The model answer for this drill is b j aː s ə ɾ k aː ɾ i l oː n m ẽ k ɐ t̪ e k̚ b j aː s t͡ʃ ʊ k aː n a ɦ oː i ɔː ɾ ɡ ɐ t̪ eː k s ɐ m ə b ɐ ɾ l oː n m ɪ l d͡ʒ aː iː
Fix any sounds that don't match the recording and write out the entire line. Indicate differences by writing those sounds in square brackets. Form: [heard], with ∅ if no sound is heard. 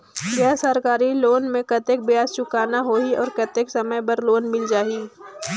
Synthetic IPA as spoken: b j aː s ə ɾ k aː ɾ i l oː n m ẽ k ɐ t̪ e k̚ b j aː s t͡ʃ ʊ k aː n a ɦ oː i ɔː ɾ [k] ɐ t̪ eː k s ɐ m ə b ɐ ɾ l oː n m ɪ l d͡ʒ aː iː